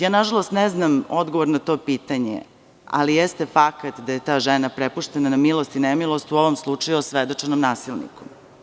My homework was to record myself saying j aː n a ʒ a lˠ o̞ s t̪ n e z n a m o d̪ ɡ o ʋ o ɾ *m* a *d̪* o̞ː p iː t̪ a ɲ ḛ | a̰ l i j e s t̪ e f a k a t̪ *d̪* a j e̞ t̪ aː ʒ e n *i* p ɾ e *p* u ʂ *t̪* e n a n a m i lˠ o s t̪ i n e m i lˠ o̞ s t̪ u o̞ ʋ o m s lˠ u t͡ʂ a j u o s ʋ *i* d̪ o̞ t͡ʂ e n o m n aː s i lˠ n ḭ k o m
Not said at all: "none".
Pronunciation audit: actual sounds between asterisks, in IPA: n, t̪, d̪, a, p, t̪, e

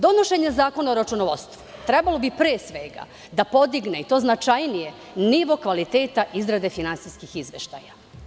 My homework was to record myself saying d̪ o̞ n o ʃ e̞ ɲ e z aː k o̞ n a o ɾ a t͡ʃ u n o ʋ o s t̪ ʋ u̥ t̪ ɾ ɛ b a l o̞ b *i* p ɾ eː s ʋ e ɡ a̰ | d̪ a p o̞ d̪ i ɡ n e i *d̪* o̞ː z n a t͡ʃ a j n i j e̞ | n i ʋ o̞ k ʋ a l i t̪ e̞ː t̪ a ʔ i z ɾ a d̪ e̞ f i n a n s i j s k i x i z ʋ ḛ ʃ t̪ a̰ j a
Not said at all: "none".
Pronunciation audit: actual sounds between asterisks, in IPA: i, t̪

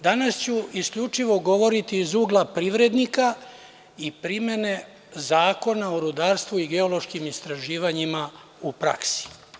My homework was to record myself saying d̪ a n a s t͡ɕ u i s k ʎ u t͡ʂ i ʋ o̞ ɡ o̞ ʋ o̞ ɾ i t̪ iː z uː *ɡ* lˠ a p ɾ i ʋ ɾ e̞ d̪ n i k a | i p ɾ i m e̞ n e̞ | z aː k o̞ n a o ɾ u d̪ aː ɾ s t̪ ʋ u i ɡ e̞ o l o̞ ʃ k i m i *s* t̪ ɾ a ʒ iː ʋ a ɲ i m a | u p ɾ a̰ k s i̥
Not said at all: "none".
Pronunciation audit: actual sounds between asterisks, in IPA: ɡ, s

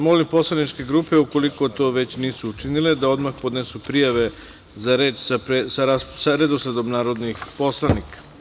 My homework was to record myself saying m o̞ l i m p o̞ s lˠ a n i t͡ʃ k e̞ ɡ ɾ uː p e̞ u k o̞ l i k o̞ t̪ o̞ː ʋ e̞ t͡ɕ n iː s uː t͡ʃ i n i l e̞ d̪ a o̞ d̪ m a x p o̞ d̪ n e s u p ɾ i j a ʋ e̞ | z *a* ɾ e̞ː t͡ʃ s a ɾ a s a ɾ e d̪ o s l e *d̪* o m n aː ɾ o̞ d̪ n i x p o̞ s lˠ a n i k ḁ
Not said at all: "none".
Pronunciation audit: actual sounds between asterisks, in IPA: a, d̪

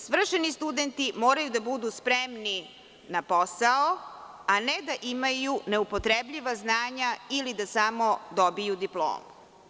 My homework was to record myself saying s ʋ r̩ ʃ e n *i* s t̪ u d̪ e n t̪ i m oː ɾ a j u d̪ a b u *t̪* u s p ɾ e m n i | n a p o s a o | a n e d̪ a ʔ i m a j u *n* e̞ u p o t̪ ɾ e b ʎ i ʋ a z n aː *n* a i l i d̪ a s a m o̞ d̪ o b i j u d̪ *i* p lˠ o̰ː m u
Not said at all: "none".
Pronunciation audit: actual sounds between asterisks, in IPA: i, d̪, n, ɲ, i

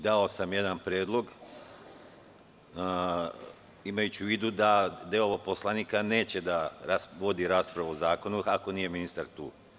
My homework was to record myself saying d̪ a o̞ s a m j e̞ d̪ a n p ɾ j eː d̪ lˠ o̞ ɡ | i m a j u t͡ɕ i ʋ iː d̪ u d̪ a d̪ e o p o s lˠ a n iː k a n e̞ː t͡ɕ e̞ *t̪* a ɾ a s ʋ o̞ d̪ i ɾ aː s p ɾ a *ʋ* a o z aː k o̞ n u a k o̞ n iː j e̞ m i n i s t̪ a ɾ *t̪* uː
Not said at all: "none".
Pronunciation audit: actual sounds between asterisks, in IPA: d̪, ʋ, t̪

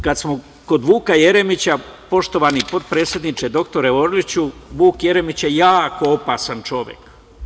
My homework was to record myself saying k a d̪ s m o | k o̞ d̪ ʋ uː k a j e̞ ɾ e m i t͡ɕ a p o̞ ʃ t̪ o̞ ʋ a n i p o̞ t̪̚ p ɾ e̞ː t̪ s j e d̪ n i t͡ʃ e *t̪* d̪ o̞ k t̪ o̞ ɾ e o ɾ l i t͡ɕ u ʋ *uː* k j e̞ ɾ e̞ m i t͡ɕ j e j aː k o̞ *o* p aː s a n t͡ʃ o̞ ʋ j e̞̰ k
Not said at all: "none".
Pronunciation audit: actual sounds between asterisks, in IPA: none, uː, o

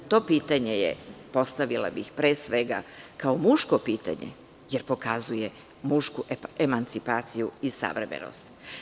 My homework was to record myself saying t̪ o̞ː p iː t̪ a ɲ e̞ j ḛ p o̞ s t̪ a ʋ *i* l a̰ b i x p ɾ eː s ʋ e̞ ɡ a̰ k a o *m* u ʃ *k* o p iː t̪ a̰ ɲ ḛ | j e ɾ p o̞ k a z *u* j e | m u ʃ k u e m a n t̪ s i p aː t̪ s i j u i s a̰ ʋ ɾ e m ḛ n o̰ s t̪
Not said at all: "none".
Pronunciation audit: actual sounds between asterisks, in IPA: i, m, k, u

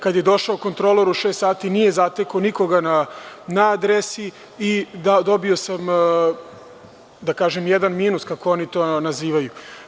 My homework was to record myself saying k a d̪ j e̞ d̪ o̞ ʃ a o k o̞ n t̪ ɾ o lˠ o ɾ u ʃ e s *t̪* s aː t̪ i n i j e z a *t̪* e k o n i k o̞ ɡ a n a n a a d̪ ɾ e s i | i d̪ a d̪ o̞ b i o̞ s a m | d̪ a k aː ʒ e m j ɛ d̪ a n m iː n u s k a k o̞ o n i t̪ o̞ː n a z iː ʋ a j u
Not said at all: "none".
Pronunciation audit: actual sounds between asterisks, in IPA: t̪, t̪

